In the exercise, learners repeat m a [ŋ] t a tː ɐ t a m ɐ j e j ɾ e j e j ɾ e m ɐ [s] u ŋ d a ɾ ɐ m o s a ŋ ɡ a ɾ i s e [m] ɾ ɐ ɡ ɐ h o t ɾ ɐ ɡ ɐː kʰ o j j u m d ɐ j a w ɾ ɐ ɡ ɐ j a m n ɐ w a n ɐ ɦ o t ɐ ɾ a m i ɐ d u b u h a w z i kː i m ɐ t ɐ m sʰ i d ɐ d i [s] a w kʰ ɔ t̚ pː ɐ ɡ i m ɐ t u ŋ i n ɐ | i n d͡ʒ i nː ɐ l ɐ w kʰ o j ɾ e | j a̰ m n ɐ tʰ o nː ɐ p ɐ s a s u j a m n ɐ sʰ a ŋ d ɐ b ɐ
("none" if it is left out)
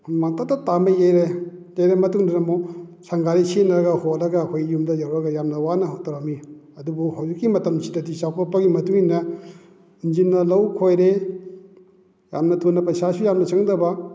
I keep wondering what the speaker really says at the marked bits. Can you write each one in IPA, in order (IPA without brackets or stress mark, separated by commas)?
ŋ, t, n, s